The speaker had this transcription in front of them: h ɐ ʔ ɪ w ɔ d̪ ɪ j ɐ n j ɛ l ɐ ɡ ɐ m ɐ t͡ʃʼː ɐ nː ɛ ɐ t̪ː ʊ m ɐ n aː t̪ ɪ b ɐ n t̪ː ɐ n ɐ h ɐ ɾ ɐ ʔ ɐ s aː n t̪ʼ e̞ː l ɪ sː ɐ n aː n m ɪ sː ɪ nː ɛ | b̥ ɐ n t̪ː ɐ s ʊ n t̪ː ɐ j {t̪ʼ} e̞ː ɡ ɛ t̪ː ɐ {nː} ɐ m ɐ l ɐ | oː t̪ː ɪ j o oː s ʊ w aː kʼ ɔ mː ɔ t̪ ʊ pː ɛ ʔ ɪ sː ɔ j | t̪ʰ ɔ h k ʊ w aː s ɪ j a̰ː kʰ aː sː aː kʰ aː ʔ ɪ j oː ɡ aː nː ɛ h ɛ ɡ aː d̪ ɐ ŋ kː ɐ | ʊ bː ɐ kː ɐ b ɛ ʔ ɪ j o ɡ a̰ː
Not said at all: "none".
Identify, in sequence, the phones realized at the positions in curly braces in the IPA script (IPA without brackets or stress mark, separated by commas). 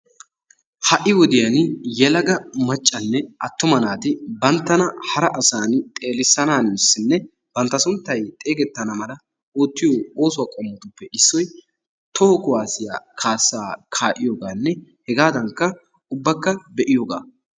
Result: t̪ʼ, n